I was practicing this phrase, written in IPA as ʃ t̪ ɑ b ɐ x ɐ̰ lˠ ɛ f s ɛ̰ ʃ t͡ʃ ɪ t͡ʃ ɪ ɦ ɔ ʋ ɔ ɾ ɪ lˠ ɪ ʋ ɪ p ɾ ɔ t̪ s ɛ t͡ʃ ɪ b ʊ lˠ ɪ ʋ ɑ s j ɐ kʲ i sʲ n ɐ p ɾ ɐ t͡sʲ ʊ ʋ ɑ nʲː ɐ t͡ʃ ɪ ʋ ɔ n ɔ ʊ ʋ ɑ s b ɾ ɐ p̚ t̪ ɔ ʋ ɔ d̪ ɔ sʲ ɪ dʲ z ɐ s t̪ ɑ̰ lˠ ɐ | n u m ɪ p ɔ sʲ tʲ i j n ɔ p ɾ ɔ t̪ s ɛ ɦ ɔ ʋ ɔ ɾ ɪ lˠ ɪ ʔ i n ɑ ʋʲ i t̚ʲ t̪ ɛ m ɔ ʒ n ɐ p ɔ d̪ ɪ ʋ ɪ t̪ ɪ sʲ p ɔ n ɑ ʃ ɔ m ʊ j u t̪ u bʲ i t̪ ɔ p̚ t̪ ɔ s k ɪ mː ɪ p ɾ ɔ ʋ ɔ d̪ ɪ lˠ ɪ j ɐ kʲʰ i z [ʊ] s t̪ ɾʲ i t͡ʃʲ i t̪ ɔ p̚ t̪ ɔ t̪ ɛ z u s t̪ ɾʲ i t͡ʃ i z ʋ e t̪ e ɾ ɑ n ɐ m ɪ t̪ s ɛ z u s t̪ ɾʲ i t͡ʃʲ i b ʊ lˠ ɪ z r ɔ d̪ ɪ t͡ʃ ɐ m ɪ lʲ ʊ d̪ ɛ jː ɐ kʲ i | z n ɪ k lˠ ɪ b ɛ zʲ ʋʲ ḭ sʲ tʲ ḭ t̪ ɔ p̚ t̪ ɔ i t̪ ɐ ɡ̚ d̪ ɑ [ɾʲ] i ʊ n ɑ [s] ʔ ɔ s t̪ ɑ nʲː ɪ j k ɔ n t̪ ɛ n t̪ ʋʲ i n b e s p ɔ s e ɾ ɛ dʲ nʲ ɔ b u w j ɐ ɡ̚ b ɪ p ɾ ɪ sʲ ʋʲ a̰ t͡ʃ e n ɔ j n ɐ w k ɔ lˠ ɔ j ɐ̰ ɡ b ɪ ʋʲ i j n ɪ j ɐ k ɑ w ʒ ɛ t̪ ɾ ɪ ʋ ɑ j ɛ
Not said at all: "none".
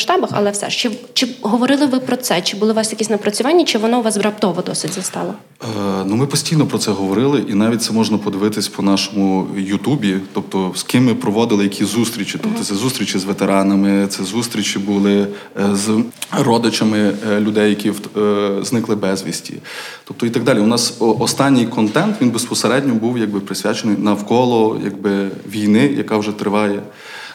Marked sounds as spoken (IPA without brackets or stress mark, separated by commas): u, lʲ, s